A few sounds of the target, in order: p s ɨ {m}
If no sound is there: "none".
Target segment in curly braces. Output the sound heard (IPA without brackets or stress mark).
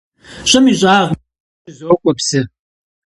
none